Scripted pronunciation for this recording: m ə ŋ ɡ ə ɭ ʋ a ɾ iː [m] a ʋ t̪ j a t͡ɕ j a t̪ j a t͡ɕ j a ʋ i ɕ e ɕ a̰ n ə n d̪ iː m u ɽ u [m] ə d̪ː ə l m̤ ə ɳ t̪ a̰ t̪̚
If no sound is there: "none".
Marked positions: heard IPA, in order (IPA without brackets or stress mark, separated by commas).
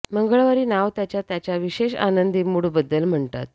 n, b